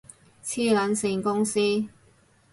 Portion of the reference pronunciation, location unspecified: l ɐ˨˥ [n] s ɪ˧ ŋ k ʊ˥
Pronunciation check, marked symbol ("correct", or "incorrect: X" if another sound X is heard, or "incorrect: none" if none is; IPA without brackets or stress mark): correct